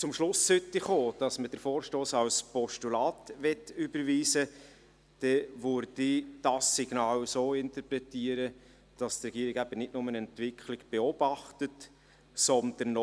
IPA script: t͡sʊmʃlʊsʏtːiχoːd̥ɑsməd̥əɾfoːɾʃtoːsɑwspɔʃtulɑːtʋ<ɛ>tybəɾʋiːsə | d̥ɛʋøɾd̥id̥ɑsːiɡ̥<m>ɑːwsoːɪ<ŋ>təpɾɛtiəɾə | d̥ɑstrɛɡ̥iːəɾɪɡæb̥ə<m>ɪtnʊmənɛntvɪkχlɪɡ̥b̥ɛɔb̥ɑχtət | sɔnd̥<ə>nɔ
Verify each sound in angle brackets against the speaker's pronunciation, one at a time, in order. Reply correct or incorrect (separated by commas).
correct, incorrect, incorrect, incorrect, correct